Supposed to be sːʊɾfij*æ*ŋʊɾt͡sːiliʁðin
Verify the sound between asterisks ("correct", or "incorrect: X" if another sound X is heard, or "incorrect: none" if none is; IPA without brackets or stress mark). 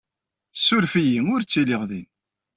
incorrect: i